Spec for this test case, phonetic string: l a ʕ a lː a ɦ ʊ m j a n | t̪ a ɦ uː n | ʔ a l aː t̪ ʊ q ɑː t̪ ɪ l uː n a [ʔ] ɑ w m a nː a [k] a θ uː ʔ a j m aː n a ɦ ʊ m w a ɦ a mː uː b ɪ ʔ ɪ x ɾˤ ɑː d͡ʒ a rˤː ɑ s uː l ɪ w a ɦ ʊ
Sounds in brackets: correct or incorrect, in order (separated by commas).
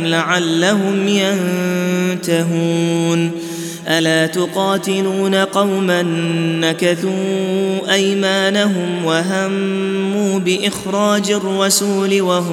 incorrect, correct